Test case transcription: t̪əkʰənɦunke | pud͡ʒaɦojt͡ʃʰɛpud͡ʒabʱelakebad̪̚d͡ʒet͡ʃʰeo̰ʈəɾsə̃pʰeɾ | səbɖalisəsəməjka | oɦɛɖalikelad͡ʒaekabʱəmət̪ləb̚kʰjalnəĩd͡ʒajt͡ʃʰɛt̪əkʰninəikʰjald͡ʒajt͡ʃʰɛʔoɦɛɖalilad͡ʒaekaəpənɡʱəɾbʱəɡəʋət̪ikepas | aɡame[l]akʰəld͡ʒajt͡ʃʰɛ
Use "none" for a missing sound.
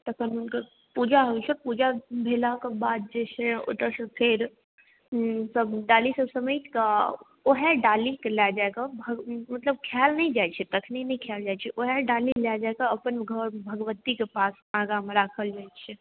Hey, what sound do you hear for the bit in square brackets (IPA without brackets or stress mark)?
ɾ